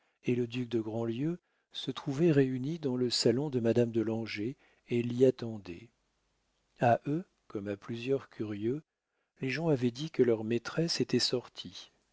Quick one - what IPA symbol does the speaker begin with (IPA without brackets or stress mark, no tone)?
e